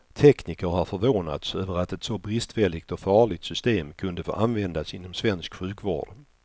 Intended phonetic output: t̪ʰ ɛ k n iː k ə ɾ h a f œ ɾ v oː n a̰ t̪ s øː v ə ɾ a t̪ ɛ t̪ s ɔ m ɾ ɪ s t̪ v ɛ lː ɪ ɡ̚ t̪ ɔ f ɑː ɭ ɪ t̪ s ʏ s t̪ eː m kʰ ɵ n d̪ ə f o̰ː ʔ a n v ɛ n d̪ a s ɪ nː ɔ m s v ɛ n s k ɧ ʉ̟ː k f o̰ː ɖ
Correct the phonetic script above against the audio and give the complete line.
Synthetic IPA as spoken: t̪ʰ ɛ k n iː k ə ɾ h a f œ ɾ v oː n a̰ t̪ s øː v ə ɾ a t̪ ɛ t̪ s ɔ b ɾ ɪ s t̪ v ɛ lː ɪ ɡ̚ t̪ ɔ f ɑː ɭ ɪ t̪ s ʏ s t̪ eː m kʰ ɵ n d̪ ə f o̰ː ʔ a n v ɛ n d̪ a s ɪ nː ɔ m s v ɛ n s k ɧ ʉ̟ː k v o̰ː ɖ